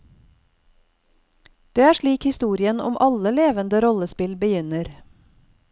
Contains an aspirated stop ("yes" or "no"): no